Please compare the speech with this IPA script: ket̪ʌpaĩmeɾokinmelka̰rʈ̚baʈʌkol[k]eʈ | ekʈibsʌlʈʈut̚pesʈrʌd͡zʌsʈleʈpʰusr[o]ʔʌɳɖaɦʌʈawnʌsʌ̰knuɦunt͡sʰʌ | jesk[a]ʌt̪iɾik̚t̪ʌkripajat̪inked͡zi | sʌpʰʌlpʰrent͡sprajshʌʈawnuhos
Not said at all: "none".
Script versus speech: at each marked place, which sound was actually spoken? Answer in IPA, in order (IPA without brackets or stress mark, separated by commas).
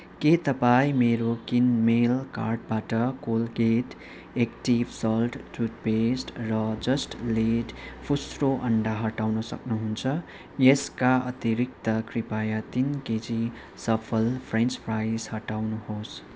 ɡ, o, a